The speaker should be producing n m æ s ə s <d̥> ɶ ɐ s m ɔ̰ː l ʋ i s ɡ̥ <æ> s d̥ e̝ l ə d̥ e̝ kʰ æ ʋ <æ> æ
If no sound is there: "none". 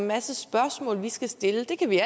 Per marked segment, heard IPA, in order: b̥, æ, i

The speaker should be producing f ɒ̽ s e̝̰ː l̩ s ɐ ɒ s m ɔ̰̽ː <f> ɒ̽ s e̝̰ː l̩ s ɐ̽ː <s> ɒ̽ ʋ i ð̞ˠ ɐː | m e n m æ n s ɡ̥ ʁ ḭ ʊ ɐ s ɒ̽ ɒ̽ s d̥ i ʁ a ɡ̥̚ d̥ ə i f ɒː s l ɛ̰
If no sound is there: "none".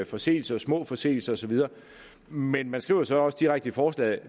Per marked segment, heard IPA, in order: f, s

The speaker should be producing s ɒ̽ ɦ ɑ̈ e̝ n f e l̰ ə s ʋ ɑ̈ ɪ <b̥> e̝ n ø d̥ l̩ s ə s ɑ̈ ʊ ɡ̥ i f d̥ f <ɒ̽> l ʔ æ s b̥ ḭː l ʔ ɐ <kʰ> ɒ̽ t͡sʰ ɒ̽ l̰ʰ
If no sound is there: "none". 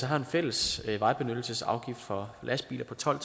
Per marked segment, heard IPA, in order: b̥, ɒ̽, pʰ

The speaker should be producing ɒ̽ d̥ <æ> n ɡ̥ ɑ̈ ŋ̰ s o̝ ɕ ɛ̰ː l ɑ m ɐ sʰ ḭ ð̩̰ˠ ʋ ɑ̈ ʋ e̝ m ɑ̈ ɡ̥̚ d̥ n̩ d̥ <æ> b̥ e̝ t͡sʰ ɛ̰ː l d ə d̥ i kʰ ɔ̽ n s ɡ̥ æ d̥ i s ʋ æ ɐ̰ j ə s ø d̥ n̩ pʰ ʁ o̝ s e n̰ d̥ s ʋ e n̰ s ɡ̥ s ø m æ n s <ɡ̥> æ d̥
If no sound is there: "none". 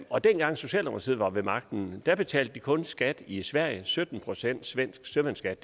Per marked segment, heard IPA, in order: e, æ, ɡ̥

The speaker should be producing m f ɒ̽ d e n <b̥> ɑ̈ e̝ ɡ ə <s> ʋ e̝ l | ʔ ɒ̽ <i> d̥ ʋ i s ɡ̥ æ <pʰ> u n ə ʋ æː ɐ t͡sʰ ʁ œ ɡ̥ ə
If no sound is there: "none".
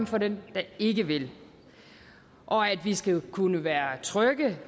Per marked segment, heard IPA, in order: d̥, none, æ, kʰ

